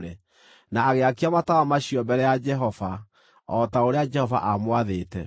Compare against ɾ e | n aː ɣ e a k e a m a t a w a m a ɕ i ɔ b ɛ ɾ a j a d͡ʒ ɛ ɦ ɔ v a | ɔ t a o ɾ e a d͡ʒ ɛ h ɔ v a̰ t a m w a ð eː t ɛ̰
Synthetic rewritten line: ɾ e | n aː ɣ e a k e a m a t a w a m a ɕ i ɔ b ɛ ɾ ɛ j a d͡ʒ ɛ ɦ ɔ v a | ɔ t a o ɾ e a d͡ʒ ɛ h ɔ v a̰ ʔ a m w a ð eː t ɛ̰